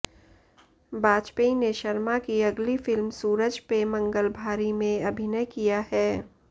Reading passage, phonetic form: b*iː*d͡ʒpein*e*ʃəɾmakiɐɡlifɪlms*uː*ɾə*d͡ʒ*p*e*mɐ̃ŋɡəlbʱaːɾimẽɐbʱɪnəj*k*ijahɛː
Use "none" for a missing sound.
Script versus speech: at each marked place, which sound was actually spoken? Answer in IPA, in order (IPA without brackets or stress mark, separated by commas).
aː, e, uː, d͡ʒ, e, k